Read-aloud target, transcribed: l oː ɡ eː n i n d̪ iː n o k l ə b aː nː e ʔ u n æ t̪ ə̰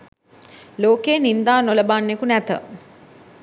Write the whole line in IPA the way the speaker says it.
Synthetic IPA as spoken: l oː k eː n i n d̪ aː n o l ə b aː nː e k u n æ t̪ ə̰